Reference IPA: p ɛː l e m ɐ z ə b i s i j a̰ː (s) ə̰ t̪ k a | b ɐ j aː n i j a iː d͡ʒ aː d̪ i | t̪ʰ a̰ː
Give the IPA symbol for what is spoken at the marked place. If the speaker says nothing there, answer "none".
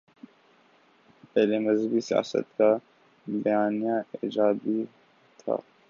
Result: s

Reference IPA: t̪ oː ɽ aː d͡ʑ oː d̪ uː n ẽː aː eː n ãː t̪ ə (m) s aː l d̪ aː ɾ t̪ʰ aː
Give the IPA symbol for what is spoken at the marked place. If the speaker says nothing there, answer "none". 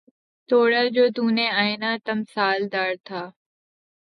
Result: m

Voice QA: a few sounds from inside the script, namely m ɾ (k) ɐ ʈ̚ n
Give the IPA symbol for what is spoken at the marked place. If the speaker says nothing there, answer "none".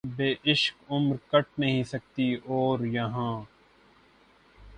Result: k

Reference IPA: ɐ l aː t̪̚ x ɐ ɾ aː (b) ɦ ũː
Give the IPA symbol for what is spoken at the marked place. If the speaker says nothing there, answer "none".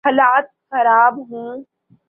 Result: b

